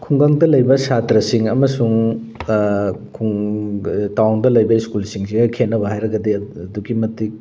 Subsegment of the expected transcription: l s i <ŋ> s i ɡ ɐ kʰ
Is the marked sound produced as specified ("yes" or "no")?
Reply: yes